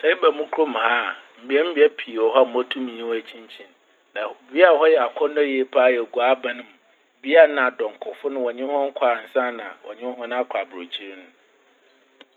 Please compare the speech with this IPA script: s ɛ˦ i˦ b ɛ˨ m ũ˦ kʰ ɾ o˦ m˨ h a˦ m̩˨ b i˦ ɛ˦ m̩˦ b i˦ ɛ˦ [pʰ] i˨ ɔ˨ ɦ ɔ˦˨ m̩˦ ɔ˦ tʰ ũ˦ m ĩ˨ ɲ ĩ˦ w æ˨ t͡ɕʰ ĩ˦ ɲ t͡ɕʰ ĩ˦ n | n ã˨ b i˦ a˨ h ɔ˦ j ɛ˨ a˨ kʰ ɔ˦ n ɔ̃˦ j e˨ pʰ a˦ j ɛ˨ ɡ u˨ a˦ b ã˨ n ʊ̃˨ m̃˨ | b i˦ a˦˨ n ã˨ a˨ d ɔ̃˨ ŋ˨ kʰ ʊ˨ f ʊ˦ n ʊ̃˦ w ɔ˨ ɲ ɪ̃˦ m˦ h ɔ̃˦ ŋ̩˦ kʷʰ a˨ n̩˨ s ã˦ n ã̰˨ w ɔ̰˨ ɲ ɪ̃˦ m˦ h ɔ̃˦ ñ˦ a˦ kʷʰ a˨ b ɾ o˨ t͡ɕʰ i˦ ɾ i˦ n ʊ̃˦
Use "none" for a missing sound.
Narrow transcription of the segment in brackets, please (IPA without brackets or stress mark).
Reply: pʰ